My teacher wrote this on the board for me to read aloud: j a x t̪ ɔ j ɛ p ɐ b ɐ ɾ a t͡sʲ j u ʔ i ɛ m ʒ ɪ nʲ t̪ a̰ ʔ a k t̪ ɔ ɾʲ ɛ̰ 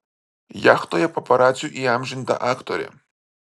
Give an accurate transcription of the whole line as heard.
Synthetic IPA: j a x t̪ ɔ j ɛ p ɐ p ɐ ɾ a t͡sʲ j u ʔ i a m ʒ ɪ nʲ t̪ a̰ ʔ a k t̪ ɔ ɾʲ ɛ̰